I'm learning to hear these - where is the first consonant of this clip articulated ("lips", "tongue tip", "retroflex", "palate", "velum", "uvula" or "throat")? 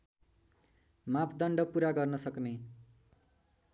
lips